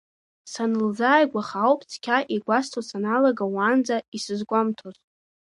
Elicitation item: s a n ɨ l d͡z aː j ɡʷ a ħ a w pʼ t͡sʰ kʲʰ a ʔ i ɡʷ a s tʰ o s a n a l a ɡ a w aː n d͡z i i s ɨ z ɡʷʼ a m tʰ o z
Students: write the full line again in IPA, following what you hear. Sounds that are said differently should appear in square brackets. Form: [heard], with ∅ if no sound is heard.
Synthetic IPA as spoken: s a n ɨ l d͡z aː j ɡʷ a [χ] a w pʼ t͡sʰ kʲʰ a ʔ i ɡʷ a s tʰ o s a n a l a ɡ a w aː n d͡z [a] i s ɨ z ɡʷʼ a m tʰ o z